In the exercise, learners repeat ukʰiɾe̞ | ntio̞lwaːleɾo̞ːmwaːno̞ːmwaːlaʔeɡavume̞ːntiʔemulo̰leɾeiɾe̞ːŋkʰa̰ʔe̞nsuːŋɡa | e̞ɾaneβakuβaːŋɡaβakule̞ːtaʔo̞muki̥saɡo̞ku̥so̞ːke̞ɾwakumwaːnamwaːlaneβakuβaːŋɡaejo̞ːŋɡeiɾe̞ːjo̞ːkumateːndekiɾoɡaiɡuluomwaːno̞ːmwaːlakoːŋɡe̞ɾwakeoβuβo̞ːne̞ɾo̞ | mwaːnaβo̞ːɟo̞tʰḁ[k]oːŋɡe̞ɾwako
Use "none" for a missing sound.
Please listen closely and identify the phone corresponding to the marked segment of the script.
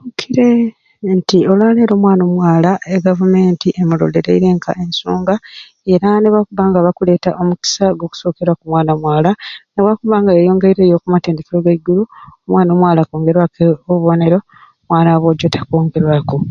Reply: k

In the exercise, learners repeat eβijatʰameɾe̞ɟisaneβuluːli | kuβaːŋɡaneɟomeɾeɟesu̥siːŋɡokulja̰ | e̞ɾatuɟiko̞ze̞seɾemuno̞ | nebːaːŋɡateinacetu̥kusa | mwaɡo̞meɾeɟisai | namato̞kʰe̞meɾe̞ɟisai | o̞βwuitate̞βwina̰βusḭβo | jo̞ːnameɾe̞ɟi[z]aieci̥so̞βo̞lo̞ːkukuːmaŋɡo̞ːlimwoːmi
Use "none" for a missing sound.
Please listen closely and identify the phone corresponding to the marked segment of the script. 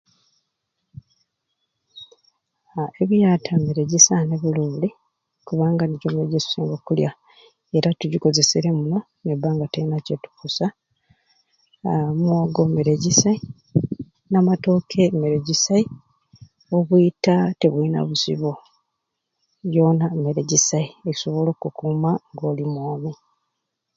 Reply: s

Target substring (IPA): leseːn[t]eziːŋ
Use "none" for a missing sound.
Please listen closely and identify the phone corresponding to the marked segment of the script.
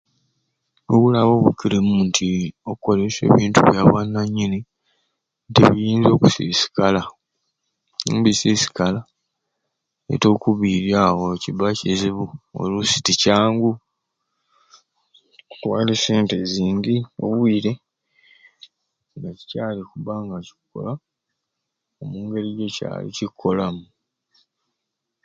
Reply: t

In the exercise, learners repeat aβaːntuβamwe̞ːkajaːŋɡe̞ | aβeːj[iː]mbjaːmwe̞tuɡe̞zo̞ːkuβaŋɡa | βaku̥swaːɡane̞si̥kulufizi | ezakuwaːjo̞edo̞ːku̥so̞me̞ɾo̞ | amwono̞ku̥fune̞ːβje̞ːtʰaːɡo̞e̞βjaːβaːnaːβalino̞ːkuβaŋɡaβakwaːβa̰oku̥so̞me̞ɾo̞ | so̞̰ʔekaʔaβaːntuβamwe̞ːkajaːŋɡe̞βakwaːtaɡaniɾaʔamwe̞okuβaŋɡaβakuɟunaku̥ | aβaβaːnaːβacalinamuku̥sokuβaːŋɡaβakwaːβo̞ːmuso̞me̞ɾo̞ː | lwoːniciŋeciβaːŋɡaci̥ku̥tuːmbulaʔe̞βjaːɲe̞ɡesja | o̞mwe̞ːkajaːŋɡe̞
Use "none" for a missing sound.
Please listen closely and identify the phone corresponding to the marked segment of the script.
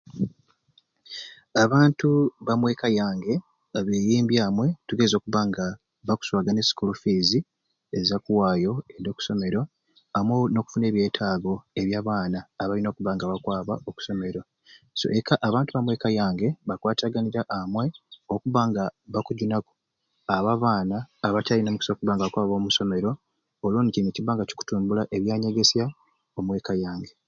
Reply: iː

